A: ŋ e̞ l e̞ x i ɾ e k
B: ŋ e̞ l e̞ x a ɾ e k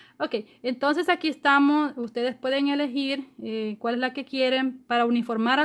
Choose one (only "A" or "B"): A